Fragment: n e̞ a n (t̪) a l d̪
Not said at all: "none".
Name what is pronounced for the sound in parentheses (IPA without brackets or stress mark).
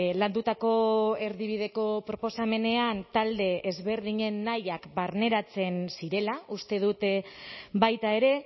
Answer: t̪